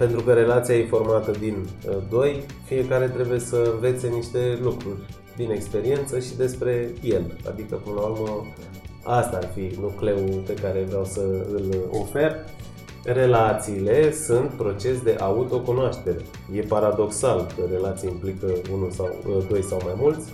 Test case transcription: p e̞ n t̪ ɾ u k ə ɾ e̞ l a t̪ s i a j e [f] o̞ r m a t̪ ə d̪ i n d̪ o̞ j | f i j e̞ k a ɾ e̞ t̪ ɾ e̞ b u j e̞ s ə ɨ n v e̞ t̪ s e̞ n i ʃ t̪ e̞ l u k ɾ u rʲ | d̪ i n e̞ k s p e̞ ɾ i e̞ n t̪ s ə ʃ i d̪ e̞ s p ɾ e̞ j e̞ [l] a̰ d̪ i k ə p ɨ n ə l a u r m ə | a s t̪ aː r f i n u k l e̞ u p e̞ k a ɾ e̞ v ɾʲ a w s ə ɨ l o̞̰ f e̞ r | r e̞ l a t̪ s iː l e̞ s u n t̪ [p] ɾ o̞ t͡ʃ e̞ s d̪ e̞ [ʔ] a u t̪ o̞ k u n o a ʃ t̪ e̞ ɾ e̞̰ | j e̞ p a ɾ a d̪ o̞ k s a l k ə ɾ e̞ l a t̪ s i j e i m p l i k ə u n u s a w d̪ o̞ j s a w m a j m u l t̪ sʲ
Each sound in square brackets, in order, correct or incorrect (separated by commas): correct, correct, correct, correct